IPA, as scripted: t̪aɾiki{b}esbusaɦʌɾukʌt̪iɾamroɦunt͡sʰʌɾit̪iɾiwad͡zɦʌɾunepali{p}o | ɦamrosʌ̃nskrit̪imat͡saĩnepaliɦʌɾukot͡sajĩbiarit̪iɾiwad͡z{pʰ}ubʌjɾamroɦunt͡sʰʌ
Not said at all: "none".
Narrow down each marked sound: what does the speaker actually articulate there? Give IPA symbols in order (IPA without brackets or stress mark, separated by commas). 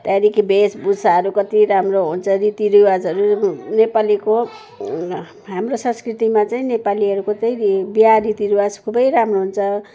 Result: b, k, kʰ